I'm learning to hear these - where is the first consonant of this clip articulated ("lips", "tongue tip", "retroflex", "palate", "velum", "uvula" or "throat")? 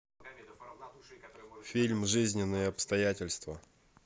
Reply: lips